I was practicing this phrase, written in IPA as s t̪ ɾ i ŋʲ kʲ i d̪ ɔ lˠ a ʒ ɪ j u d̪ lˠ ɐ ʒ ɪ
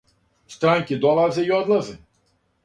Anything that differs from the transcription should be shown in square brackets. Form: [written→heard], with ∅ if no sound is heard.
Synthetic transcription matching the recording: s t̪ ɾ [i→a] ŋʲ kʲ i d̪ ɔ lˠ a [ʒ→z] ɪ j [u→ɔ] d̪ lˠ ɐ [ʒ→z] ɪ